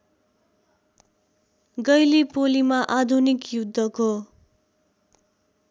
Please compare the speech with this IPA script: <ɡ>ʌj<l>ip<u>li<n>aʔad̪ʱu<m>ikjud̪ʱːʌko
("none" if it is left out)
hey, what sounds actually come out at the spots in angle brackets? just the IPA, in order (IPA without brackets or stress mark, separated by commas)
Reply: ɡ, l, o, m, n